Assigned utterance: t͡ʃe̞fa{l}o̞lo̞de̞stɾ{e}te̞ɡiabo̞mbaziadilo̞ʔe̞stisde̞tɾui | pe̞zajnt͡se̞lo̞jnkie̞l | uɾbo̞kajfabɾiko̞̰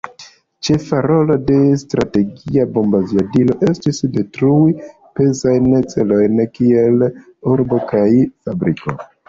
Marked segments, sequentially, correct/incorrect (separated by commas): incorrect, incorrect